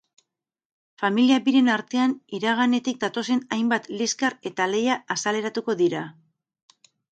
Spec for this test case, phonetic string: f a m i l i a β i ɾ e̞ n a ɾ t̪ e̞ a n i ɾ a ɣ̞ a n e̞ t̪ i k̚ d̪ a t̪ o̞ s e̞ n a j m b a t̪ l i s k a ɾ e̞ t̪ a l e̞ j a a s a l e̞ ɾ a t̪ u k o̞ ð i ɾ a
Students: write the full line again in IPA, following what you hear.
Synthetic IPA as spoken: f a m i l i a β i ɾ e̞ n a ɾ t̪ e̞ a n i ɾ a ɣ̞ a n e̞ t̪ i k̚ d̪ a t̪ o̞ s e̞ n a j m b a t̪ l i s k a ɾ e̞ t̪ a l e̞ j a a s a l e̞ ɾ a t̪ u k o̞ ð i ɾ a